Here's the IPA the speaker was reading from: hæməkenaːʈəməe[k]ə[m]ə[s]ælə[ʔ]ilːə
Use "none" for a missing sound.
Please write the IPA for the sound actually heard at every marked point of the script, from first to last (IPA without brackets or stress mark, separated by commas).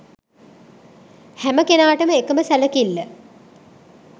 k, m, s, k